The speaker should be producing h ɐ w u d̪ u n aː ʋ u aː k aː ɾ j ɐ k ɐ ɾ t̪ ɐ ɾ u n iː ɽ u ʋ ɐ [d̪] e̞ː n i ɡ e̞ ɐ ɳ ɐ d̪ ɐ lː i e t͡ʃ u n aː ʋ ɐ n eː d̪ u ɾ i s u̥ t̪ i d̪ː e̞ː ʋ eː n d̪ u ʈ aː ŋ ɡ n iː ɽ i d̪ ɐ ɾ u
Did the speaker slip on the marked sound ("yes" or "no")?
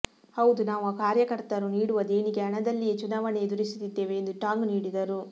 no